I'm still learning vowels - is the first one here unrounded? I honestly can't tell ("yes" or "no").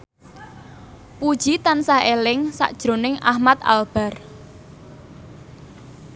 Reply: no